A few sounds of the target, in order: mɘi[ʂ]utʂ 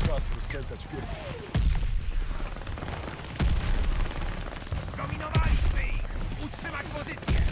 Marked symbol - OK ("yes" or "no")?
no